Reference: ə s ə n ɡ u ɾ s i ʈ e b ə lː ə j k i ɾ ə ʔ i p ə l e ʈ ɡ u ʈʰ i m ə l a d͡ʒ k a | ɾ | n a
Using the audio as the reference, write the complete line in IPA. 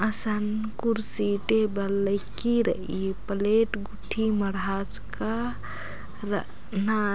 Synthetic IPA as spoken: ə s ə n k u ɾ s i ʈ e b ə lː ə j k i ɾ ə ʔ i p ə l e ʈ ɡ u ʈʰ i m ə ɽ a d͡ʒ k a | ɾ | n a